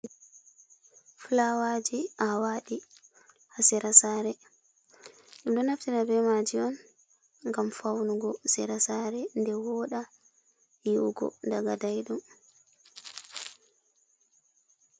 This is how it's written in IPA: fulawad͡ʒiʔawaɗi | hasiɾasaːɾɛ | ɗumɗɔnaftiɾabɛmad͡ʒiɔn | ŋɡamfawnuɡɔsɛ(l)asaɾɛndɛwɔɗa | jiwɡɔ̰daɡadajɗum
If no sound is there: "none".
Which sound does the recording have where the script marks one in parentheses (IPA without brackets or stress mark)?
ɾ